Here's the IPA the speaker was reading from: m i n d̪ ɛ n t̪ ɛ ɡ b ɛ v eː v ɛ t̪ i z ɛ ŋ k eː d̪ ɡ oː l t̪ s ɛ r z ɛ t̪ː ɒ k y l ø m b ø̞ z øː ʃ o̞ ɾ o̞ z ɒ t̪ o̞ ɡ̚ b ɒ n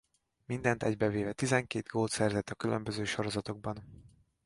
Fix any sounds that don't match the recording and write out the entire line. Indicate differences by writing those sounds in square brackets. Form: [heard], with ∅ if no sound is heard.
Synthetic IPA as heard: m i n d̪ ɛ n t̪ ɛ [ɟ] b ɛ v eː v ɛ t̪ i z ɛ ŋ k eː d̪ ɡ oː l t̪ s ɛ r z ɛ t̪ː ɒ k y l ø m b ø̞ z øː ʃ o̞ ɾ o̞ z ɒ t̪ o̞ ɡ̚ b ɒ n